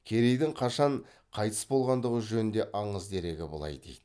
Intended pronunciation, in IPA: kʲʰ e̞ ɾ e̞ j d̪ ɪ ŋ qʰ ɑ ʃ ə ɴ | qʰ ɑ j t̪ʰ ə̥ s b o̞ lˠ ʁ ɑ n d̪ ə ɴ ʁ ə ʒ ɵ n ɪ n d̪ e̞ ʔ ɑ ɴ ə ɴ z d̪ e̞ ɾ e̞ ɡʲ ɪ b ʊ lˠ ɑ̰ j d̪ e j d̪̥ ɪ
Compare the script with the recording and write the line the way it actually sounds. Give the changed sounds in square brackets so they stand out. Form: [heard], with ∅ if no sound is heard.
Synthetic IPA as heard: kʲʰ e̞ ɾ e̞ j d̪ ɪ ŋ qʰ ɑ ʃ [ɑ] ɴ | qʰ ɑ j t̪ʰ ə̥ s b o̞ lˠ ʁ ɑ n d̪ ə [∅] ʁ ə ʒ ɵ n ɪ n d̪ e̞ ʔ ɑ ɴ ə [∅] z d̪ e̞ ɾ e̞ ɡʲ ɪ b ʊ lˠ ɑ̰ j d̪ e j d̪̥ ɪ